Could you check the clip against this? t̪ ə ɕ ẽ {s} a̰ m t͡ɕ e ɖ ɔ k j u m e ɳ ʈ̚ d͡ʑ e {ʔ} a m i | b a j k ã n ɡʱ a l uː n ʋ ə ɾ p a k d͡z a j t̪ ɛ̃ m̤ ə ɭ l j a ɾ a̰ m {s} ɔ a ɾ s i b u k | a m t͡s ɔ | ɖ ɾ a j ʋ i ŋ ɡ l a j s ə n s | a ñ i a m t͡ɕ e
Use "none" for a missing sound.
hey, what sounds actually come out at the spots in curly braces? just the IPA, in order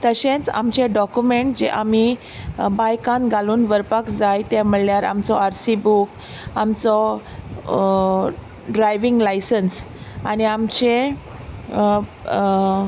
t͡s, ʔ, t͡s

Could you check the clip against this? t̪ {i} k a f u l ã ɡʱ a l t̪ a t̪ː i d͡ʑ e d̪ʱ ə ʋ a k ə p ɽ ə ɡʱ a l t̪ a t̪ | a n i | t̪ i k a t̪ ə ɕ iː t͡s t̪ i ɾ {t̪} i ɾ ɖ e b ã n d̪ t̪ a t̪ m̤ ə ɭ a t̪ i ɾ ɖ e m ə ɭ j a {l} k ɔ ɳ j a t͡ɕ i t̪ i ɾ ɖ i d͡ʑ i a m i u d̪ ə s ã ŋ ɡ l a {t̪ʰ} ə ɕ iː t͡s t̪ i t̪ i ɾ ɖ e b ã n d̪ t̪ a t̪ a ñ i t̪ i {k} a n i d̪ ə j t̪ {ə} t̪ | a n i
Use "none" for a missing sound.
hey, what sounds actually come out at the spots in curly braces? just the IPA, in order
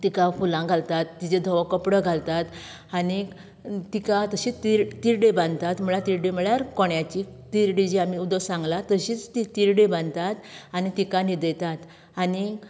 i, t̪, ɾ, t̪, k, a

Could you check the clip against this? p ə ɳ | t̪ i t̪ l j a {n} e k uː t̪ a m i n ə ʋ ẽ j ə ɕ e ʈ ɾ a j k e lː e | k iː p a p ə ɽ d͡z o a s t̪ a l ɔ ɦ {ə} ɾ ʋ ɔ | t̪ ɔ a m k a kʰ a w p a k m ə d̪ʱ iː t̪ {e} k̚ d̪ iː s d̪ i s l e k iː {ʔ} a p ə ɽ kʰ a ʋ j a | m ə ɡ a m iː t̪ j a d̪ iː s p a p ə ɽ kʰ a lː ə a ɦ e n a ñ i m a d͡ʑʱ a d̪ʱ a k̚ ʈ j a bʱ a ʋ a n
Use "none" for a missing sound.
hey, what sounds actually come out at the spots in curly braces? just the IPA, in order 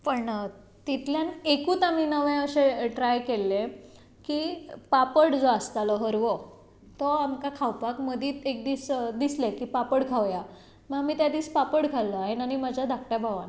n, ə, e, p

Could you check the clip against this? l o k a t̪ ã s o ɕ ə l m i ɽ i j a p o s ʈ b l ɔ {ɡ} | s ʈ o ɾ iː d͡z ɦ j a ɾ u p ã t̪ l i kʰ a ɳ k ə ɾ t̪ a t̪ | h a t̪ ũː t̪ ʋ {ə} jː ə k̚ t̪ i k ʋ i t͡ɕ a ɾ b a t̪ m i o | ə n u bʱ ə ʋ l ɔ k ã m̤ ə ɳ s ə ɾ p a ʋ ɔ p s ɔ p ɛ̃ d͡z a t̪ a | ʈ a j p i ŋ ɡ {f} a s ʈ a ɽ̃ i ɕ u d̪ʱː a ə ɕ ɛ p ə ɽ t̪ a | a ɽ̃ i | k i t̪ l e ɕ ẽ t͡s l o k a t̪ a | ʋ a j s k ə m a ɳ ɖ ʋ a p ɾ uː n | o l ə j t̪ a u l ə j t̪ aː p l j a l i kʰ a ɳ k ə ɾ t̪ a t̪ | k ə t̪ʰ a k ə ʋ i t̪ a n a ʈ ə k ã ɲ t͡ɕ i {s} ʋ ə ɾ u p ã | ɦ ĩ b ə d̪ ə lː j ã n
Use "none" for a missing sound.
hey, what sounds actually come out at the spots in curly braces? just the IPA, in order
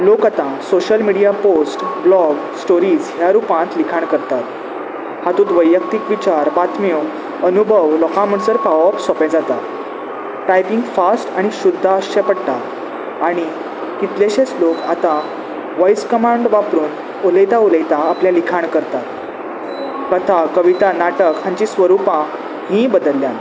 ɡ, ə, f, s

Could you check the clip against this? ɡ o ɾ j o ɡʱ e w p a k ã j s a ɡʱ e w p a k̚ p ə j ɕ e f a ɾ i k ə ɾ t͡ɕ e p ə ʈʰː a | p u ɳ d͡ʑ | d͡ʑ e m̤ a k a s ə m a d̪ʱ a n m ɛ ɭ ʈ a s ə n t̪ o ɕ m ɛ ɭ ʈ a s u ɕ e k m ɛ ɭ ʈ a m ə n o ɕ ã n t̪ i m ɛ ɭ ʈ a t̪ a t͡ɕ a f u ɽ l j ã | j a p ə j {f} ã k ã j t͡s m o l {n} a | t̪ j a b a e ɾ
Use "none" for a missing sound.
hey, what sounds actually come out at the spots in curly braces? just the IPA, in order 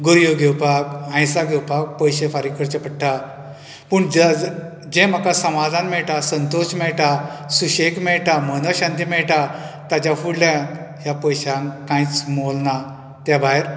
ɕ, n

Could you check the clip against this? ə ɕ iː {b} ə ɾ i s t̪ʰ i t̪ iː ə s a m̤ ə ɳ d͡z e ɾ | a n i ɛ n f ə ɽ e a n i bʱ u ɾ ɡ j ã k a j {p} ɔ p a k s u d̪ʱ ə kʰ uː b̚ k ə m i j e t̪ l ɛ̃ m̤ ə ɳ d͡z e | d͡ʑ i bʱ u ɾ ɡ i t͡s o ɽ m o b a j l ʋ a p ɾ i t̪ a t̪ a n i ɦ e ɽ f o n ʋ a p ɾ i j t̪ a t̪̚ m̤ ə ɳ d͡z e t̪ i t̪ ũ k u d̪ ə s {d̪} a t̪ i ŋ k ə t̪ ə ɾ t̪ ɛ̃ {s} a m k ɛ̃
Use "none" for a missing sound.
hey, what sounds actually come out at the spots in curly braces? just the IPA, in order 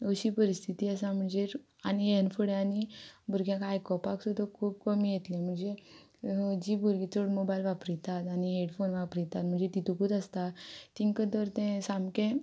p, k, t̪, s

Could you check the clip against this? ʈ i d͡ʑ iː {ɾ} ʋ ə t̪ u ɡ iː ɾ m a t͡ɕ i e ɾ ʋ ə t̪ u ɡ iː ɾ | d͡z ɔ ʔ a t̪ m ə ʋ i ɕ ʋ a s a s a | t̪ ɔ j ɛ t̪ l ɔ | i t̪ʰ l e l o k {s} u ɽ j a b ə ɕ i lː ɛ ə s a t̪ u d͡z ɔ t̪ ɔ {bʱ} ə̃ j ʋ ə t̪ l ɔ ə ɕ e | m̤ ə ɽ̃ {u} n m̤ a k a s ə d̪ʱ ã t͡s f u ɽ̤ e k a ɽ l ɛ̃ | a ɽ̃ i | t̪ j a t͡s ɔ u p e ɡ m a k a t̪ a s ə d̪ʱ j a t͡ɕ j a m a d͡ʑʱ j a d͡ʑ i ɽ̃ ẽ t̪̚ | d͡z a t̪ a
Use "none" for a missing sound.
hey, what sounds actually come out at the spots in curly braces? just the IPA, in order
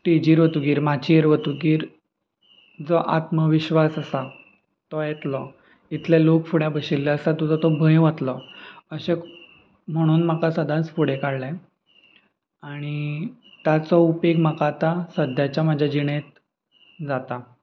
ɾ, f, bʱ, uː

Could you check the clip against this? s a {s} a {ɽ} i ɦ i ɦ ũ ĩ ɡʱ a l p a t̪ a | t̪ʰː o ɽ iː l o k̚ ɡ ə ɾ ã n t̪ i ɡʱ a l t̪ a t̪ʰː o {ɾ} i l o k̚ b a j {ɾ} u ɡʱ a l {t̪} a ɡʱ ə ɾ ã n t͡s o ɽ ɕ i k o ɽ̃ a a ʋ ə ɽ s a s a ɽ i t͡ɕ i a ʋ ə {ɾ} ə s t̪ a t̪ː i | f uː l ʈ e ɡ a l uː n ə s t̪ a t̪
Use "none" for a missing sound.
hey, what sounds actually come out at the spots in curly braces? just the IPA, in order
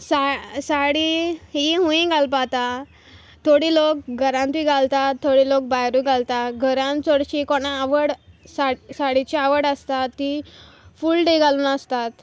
s, ɽ, ɽ, ɾ, t̪, ɽ

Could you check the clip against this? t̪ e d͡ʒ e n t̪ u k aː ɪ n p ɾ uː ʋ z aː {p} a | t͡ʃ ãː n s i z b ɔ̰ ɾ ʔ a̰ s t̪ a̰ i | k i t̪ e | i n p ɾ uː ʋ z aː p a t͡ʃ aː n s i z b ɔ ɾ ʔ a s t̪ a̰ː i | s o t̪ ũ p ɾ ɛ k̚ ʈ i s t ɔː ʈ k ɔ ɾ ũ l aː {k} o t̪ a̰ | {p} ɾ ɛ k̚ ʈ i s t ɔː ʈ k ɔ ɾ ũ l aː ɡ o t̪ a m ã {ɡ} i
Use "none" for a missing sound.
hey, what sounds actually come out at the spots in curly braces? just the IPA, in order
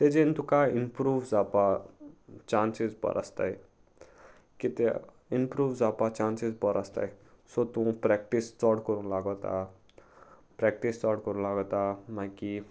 p, ɡ, p, k

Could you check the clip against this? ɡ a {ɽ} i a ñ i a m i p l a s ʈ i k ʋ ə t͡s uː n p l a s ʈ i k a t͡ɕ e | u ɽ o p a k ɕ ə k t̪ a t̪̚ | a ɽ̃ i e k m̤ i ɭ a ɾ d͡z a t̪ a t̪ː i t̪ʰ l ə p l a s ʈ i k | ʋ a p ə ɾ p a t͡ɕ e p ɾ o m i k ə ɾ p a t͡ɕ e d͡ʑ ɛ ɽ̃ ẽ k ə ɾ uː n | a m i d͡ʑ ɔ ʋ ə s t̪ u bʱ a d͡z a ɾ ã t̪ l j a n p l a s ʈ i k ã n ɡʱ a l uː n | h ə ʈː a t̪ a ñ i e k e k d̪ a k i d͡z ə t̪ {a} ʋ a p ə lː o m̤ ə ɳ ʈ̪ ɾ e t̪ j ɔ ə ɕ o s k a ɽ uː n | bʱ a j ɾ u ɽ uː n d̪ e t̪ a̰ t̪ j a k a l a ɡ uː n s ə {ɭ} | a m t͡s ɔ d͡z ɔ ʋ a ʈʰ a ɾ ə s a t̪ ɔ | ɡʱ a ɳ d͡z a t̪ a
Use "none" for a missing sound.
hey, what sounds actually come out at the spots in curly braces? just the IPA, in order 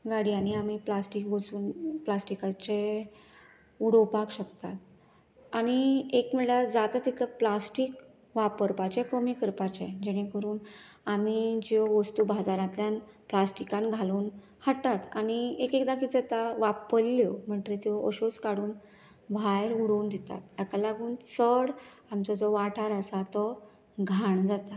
ɽ, a, ɽ

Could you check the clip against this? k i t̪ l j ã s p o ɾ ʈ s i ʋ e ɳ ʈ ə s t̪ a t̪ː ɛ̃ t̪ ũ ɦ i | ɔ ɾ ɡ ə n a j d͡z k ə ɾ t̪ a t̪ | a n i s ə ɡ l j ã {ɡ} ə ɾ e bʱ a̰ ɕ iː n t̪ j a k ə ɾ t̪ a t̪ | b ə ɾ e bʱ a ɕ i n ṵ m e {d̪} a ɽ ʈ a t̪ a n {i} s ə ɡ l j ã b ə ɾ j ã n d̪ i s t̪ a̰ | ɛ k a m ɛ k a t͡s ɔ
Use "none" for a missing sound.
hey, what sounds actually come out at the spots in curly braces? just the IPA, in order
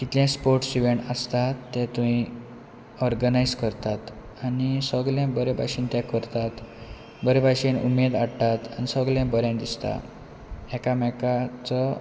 b, d̪, i

